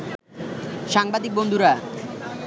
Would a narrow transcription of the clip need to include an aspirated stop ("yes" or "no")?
no